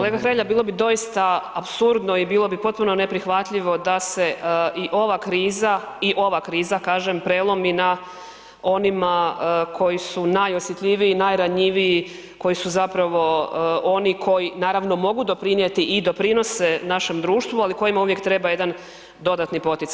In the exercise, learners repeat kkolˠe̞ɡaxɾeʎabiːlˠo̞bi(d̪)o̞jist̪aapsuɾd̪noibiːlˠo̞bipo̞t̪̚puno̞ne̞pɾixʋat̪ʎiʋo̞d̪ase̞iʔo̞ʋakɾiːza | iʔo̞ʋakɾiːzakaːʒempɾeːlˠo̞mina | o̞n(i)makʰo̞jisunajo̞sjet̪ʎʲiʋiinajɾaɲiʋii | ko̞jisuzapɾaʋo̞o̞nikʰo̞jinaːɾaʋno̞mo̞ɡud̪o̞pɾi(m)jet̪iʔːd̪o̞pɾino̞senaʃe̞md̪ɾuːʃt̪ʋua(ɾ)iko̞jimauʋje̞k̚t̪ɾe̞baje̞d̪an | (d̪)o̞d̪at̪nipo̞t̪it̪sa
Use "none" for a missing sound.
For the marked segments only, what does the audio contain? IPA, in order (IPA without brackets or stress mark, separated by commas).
d̪, i, n, l, d̪